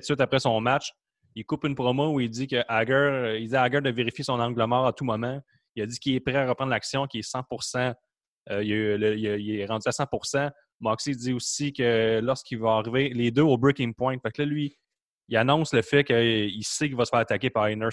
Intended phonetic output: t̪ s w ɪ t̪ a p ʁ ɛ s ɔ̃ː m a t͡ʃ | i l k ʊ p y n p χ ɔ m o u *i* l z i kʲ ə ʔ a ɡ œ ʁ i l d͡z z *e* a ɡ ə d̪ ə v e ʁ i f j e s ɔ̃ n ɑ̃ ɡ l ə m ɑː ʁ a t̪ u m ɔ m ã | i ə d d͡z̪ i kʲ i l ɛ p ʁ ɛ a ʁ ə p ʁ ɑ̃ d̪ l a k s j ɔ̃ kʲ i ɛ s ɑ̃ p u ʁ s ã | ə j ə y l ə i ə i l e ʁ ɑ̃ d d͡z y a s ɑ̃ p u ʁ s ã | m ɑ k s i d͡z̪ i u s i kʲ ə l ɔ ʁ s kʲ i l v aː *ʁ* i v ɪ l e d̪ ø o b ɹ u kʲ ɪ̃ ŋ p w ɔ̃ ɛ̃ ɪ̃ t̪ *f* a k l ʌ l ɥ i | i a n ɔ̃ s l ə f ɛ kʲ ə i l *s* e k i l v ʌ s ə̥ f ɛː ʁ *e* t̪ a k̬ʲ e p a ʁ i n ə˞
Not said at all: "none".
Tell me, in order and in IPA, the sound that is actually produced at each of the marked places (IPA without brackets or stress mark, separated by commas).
i, i, ʁ, f, s, a